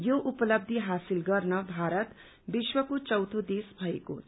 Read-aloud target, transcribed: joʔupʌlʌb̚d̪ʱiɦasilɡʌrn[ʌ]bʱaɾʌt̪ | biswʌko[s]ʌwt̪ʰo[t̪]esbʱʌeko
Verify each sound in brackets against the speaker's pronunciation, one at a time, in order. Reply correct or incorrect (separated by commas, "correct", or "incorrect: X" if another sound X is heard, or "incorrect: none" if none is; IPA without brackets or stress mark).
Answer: correct, incorrect: t͡s, incorrect: d̪